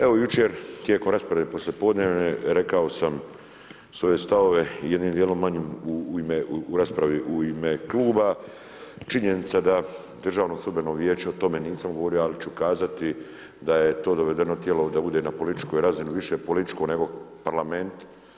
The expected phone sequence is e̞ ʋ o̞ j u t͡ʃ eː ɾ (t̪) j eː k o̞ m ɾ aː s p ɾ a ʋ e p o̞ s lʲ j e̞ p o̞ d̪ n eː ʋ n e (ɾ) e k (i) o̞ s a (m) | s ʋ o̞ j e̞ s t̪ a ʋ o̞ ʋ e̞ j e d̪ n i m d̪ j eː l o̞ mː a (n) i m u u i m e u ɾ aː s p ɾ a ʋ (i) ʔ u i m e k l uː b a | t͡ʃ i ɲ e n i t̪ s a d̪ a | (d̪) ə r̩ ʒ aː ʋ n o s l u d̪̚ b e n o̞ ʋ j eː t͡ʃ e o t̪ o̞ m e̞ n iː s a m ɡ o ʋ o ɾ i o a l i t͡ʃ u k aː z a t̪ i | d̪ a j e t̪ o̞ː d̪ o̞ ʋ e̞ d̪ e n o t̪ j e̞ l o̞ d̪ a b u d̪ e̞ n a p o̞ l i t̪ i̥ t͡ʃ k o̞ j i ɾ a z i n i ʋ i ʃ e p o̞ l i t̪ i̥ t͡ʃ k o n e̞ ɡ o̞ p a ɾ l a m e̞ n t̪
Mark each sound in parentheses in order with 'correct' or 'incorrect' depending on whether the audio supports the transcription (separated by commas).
correct, correct, incorrect, correct, incorrect, correct, correct